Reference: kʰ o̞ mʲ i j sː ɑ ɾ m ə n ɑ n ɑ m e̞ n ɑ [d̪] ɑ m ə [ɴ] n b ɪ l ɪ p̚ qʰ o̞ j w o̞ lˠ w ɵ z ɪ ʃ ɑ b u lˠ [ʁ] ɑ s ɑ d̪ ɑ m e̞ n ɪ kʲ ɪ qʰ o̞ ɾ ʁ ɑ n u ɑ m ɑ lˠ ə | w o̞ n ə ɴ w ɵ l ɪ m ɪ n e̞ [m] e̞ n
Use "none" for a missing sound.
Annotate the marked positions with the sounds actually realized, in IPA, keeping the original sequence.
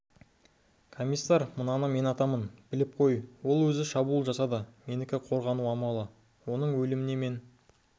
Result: t̪, none, ʒ, m

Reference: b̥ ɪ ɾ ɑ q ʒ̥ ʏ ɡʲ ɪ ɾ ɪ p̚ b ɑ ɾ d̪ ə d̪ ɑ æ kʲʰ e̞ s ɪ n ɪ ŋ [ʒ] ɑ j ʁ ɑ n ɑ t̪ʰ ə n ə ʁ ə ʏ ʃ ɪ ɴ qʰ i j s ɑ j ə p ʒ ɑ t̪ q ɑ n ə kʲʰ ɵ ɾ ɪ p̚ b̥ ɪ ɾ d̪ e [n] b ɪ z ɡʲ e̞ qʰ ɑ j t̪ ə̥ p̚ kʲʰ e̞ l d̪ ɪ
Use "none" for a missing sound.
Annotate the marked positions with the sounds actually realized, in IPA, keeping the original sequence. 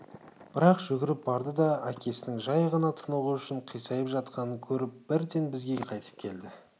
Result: ʒ, n

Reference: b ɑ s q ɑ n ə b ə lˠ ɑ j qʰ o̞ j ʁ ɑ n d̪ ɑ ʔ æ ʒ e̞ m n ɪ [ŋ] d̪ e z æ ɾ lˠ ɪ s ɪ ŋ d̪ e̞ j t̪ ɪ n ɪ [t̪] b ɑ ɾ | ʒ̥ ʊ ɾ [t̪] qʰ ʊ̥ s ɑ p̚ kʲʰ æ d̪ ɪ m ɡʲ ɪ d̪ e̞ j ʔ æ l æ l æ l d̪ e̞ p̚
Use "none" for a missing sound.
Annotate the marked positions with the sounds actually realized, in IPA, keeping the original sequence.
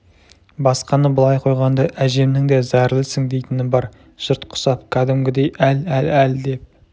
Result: ŋ, none, t̪

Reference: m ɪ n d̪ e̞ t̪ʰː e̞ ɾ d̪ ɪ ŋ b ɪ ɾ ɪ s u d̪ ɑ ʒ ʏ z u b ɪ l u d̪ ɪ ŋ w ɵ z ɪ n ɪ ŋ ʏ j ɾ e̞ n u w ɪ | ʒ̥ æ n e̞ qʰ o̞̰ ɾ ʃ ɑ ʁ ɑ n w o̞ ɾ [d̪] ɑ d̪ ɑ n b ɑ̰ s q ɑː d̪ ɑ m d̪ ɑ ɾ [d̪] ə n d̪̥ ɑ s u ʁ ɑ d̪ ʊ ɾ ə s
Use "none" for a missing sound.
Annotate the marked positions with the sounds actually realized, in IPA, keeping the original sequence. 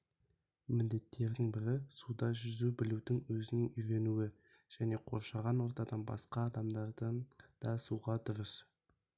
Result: t̪, d̪

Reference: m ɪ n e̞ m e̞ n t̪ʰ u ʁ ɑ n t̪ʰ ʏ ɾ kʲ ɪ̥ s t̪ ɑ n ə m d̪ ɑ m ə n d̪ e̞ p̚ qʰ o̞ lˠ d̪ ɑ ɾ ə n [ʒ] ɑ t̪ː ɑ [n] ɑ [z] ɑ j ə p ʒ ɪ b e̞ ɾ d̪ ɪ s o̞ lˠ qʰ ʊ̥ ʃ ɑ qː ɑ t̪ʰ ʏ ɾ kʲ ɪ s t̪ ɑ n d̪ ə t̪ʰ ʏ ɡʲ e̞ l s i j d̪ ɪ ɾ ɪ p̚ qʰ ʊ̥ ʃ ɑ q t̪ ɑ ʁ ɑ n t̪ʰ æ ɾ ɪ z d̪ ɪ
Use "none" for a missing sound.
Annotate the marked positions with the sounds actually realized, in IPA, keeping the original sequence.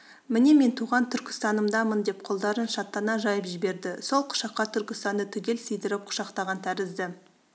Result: ʃ, n, ʒ

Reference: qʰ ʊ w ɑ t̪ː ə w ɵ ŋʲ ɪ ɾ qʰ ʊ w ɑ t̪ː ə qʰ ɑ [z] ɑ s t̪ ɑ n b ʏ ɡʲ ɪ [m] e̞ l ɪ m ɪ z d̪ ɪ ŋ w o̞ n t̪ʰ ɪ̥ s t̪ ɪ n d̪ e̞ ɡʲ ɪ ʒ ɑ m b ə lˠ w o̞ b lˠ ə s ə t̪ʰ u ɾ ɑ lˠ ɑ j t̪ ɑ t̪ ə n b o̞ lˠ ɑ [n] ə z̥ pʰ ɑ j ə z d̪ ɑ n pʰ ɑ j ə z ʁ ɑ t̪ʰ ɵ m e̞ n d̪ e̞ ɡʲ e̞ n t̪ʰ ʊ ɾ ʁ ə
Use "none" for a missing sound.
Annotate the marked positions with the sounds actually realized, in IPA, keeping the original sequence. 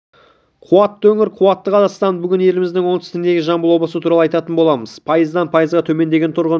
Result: z, n, m

